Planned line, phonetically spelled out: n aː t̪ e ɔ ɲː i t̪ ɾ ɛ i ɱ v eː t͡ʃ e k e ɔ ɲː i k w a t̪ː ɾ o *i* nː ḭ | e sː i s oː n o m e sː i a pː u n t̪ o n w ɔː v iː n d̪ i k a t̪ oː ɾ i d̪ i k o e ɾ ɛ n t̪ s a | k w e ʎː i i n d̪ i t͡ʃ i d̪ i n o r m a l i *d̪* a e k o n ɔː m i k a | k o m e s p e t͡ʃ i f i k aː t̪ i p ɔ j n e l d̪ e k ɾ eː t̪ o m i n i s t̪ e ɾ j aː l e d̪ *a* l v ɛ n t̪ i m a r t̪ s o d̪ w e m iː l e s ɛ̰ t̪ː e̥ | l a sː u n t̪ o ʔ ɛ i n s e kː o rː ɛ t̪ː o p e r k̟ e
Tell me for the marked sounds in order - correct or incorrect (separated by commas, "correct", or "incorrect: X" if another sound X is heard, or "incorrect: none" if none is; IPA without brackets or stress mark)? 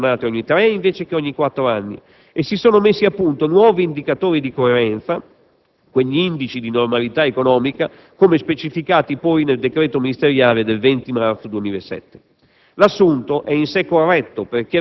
incorrect: a, incorrect: t̪, incorrect: e